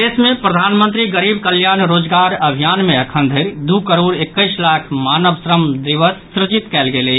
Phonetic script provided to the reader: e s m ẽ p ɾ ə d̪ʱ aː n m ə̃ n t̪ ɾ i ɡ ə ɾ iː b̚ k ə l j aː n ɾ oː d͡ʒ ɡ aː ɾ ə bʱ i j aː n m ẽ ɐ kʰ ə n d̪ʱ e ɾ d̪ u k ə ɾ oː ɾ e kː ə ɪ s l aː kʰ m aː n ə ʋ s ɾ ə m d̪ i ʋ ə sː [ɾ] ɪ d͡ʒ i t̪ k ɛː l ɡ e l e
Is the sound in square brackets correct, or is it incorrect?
correct